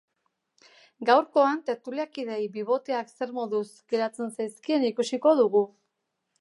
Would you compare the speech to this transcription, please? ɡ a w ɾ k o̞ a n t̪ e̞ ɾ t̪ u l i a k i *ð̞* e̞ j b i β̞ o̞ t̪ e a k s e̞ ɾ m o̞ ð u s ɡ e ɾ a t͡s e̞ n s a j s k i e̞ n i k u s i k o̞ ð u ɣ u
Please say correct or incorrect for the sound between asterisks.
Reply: correct